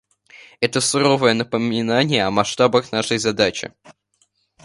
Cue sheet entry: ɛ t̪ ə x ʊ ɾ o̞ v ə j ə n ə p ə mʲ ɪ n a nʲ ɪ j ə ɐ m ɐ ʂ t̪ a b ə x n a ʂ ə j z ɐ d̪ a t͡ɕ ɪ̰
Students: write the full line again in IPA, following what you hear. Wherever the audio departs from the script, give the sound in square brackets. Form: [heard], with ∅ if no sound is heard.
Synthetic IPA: ɛ t̪ ə [s] ʊ ɾ o̞ v ə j ə n ə p ə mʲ ɪ n a nʲ ɪ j ə ɐ m ɐ ʂ t̪ a b ə x n a ʂ ə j z ɐ d̪ a t͡ɕ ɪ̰

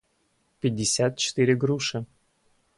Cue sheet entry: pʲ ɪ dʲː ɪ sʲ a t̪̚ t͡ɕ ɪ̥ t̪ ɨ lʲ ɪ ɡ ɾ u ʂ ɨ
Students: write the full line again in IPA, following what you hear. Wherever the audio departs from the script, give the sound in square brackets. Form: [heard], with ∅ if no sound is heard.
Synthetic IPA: pʲ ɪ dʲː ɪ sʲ a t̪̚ t͡ɕ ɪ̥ t̪ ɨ [ɾʲ] ɪ ɡ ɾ u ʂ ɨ

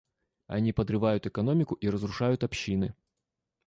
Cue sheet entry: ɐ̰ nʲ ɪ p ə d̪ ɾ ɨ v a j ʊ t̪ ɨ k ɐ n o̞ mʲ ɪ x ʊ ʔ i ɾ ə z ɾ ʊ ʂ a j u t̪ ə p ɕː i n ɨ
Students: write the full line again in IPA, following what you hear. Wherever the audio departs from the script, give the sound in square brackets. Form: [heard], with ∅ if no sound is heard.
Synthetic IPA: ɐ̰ nʲ [i] p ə d̪ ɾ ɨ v a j ʊ t̪ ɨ k ɐ n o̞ mʲ ɪ [k] ʊ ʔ i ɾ ə z ɾ ʊ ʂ a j [ʊ] t̪ [ɐ] p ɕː i n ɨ

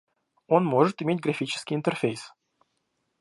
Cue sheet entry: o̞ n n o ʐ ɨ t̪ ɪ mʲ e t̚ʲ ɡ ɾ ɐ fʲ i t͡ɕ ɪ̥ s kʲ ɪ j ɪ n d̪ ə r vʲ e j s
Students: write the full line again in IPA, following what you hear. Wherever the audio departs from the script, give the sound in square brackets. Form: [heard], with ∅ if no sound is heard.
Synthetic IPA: o̞ n [m] o ʐ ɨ t̪ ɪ mʲ e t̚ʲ ɡ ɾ ɐ fʲ i t͡ɕ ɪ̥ s kʲ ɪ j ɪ n [t̪] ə r [fʲ] e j s

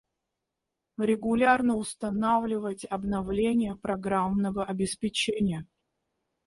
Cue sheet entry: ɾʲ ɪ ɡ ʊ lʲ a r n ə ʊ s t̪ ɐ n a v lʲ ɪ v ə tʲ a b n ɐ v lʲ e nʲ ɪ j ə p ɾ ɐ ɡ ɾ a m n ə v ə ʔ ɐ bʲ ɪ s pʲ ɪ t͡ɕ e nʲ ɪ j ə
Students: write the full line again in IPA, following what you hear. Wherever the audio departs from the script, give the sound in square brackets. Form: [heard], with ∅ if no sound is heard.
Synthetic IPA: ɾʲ ɪ ɡ ʊ lʲ a r n ə ʊ s t̪ ɐ n a v lʲ ɪ v ə tʲ [ɐ] b n ɐ v lʲ e nʲ ɪ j ə p ɾ ɐ ɡ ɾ a m n ə v ə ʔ ɐ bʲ ɪ s pʲ ɪ t͡ɕ e nʲ ɪ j ə

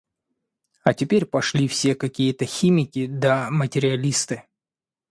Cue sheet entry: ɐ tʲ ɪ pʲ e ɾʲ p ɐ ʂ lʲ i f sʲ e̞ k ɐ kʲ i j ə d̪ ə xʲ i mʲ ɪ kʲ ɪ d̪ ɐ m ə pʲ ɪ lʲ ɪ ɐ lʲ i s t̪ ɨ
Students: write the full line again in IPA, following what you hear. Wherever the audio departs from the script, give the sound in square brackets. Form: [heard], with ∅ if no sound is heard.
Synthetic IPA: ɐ tʲ ɪ pʲ e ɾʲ p ɐ ʂ lʲ i f sʲ e̞ k ɐ kʲ i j ə [t̪] ə xʲ i mʲ ɪ kʲ ɪ d̪ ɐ m ə [tʲ] ɪ [ɾʲ] ɪ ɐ lʲ i s t̪ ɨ

